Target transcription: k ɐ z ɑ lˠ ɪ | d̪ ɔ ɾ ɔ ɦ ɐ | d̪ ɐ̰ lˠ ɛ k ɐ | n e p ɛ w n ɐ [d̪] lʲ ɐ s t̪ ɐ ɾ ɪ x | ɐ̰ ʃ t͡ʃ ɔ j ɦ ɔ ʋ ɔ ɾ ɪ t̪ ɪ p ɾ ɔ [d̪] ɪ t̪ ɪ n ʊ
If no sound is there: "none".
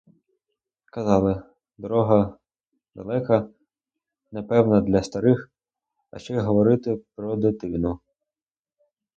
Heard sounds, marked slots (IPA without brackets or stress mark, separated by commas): d̪, d̪